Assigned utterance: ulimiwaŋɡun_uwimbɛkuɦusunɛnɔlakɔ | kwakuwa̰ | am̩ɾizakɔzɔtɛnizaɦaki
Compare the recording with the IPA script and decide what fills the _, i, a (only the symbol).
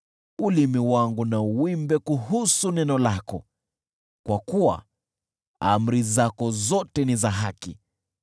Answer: a